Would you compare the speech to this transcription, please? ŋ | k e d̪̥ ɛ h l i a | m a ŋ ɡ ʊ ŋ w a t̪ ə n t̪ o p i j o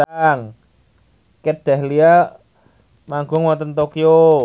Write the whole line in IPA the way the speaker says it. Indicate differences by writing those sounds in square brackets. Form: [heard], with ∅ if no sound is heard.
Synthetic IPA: ŋ | k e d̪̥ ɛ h l i a | m a ŋ ɡ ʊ ŋ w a t̪ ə n t̪ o [k] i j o